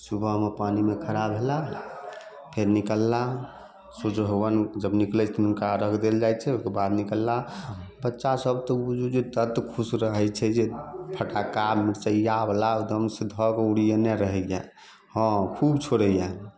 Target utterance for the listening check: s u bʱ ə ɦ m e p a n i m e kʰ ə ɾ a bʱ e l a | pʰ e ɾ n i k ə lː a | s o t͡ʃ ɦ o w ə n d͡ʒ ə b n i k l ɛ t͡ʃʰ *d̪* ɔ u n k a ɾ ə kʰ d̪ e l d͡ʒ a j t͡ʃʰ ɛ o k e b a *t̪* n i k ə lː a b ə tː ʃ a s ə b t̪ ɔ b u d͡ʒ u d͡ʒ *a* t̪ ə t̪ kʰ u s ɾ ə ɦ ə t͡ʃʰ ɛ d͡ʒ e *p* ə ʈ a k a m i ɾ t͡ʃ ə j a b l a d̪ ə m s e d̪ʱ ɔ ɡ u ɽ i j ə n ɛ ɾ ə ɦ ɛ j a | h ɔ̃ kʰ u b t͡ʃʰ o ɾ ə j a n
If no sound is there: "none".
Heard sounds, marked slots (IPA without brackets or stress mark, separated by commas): t̪, d̪, e, pʰ